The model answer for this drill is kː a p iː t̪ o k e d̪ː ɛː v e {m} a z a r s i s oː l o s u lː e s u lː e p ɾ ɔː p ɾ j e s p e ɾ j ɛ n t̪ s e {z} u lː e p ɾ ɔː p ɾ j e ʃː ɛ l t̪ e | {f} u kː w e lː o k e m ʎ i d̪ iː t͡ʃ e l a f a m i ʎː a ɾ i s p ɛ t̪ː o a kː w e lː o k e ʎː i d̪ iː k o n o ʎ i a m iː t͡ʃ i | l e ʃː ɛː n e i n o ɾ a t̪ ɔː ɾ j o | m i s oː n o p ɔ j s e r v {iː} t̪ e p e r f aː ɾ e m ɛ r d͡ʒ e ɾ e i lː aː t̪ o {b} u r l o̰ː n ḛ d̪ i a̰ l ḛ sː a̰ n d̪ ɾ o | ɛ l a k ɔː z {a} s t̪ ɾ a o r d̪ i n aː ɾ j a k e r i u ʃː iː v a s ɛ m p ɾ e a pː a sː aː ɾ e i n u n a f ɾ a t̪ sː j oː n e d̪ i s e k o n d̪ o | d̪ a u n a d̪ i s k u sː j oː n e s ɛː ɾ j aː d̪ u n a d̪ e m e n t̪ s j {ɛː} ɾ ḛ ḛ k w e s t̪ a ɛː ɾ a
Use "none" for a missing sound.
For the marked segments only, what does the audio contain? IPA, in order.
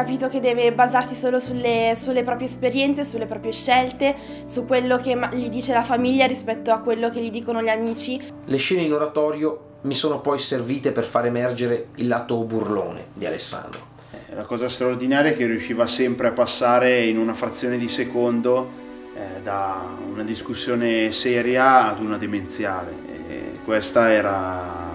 b, s, s, iː, b, a, aː

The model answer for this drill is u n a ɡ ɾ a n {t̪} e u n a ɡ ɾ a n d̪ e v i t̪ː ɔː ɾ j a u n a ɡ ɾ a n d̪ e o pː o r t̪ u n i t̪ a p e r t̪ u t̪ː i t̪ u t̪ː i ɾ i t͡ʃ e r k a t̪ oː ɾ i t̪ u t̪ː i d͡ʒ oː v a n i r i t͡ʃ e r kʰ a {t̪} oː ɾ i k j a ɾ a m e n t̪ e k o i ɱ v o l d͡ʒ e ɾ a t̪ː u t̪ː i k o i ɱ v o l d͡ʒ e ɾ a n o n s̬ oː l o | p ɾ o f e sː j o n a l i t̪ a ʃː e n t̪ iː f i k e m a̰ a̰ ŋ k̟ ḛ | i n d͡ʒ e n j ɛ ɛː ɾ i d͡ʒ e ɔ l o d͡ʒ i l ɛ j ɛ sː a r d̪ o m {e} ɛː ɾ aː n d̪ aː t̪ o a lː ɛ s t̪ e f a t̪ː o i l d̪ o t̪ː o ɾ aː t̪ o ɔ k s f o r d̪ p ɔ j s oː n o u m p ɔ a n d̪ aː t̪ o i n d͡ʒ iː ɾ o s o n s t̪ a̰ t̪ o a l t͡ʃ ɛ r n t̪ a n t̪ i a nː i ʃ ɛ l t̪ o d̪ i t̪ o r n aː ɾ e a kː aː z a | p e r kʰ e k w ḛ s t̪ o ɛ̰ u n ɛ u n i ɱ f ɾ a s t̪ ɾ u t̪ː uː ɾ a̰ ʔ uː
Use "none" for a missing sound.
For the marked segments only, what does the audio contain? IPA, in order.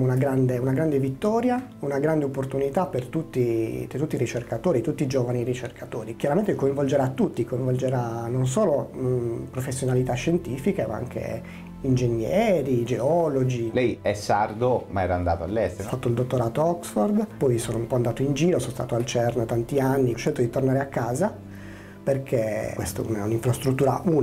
d̪, t̪, a

